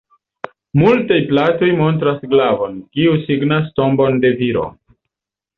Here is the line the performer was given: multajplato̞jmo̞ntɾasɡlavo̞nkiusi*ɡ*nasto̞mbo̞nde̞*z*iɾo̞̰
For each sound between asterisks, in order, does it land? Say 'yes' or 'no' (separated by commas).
yes, no